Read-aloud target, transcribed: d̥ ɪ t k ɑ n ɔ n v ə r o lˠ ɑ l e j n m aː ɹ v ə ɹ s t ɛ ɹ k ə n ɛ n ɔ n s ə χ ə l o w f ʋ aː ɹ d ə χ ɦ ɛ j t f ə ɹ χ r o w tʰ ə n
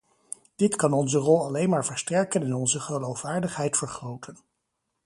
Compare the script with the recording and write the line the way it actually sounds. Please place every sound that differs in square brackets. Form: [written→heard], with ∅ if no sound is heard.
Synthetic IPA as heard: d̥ ɪ t k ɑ n ɔ n [v→z] ə r [o→ɔ] lˠ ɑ l e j n m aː ɹ v ə ɹ s t ɛ ɹ k ə n ɛ n ɔ n [s→z] ə χ ə l o w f ʋ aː ɹ d ə χ ɦ ɛ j t f ə ɹ χ r o w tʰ ə n